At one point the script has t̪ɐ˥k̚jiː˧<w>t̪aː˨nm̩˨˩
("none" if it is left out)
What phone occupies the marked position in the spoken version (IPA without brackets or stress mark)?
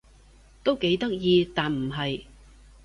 none